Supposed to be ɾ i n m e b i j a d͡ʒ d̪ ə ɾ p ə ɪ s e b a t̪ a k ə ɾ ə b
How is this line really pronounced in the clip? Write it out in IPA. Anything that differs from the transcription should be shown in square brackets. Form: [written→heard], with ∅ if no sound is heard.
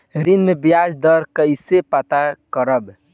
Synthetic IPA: ɾ i n m e b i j a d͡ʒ d̪ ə ɾ [p→k] ə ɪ s e [b→p] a t̪ a k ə ɾ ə b

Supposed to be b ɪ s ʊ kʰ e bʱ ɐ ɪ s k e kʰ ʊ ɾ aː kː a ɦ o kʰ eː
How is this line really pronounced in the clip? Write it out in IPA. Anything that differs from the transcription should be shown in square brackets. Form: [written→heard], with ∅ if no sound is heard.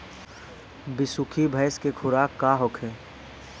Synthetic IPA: b ɪ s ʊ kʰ [e→i] bʱ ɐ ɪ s k e kʰ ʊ ɾ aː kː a ɦ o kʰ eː

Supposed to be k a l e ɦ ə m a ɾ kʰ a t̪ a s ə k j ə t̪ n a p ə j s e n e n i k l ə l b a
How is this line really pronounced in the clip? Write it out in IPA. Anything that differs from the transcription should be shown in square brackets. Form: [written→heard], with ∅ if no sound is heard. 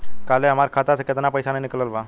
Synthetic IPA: k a l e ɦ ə m a ɾ kʰ a t̪ a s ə k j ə t̪ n a p ə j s [e→a] n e n i k l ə l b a

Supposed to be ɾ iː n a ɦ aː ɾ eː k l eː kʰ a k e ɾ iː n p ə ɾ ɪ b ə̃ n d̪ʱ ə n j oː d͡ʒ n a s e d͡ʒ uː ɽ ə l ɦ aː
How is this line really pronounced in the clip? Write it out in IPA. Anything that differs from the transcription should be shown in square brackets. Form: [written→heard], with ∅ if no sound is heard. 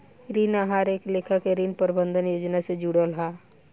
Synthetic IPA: ɾ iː n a ɦ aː ɾ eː k l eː kʰ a k e ɾ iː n p ə ɾ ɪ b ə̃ n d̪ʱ ə n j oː d͡ʒ n a s e d͡ʒ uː ɽ ə l ɦ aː

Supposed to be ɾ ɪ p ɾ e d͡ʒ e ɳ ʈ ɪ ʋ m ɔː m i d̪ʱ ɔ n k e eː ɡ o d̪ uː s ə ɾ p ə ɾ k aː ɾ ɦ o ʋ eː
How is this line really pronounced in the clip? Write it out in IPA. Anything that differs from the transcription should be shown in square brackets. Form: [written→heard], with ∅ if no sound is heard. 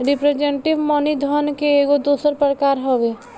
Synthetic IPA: ɾ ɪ p ɾ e d͡ʒ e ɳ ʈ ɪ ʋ m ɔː [m→n] i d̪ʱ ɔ n k e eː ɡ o d̪ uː s ə ɾ p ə ɾ k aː ɾ ɦ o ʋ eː

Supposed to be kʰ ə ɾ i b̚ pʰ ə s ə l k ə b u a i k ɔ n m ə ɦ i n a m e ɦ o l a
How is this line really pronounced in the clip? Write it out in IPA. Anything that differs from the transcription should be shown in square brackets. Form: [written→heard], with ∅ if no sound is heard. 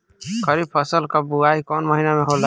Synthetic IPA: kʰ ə ɾ i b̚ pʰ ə s ə l k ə b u a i k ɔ n m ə ɦ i n a m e ɦ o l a

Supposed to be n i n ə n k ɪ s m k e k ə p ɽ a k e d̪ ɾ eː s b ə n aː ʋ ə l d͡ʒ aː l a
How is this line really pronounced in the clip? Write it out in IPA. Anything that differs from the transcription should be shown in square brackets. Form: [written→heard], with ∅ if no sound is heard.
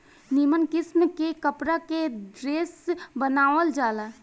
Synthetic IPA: n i [n→m] ə n k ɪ s m k e k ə p [ɽ→ɾ] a k e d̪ ɾ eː s b ə n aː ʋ ə l d͡ʒ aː l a

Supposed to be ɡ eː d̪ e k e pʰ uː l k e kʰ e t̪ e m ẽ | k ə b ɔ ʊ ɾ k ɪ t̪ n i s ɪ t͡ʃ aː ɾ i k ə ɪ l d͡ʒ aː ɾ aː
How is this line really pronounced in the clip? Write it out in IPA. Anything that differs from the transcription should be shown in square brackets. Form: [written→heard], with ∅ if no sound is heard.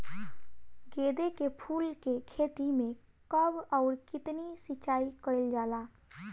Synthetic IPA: ɡ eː d̪ e k e pʰ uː l k e kʰ e t̪ [e→i] m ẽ | k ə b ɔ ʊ ɾ k ɪ t̪ n i s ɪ t͡ʃ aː [ɾ→∅] i k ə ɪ l d͡ʒ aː [ɾ→l] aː

